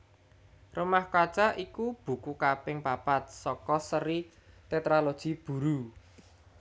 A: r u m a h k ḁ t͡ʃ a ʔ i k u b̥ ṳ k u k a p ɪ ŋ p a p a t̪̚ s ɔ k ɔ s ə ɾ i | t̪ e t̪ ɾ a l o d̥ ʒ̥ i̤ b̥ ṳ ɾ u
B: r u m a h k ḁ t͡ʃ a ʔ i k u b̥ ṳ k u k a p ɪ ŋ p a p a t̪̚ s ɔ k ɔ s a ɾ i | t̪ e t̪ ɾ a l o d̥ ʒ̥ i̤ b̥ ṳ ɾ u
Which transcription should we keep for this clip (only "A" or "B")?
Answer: A